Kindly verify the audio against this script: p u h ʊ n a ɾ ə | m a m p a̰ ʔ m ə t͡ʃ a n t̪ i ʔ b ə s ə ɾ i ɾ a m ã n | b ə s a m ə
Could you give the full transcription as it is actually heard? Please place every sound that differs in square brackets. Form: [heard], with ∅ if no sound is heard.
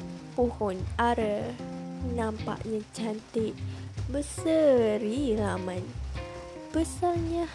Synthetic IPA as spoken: p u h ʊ n a ɾ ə | [n] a m p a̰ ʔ [ɲ] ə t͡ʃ a n t̪ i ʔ b ə s ə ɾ i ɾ a m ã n | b ə s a [ɲ] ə